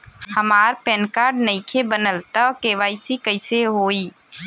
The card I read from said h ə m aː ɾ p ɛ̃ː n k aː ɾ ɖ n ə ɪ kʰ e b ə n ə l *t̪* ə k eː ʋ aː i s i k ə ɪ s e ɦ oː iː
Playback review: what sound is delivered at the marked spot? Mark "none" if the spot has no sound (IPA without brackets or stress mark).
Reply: t̪